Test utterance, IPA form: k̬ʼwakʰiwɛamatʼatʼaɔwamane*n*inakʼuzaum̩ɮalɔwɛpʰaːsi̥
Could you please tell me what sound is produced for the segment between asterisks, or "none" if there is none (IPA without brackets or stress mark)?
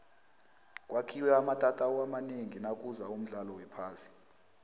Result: ŋ